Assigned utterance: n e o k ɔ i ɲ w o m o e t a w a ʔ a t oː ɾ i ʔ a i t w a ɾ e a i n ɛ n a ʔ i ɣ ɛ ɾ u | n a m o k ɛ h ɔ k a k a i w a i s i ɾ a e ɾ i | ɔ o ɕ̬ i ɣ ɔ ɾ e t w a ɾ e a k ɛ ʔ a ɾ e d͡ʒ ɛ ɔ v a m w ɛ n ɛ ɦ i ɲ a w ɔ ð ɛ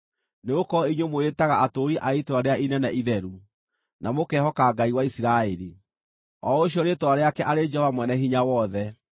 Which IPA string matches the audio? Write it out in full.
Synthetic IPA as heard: n e o k ɔ i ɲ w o m o e t a ɣ a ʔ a t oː ɾ i ʔ a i t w a ɾ e a i n ɛ n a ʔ i ð ɛ ɾ u | n a m o k ɛ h ɔ k a ɡ a i w a i s i ɾ a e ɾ i | ɔ o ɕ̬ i ɔ ɾ e t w a ɾ e a k ɛ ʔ a ɾ e d͡ʒ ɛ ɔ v a m w ɛ n ɛ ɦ i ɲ a w ɔ ð ɛ